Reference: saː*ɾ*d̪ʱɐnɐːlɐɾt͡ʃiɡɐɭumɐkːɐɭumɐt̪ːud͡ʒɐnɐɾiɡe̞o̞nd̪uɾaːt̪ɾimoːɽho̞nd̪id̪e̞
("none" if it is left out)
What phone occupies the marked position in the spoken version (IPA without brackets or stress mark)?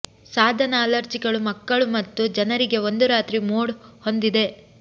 none